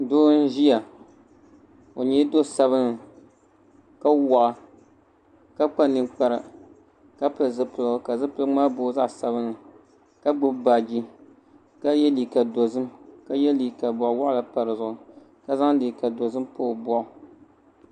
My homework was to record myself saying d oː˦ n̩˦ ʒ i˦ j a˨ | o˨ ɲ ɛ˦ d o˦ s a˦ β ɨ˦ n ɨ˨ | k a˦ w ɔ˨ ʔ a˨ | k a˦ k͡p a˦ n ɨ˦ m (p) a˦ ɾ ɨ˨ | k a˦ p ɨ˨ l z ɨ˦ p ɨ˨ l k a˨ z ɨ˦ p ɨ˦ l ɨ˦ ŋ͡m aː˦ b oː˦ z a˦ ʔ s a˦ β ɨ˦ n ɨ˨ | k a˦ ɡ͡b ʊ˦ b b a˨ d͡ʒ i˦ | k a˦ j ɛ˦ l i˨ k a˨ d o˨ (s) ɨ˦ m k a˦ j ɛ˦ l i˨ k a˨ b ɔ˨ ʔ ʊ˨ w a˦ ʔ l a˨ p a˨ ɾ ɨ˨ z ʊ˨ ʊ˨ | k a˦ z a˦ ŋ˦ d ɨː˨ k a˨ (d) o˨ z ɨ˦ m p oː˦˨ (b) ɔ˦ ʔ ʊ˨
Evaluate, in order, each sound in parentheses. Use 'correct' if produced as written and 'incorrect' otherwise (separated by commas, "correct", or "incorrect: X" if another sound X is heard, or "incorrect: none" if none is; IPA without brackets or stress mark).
incorrect: k͡p, incorrect: z, correct, correct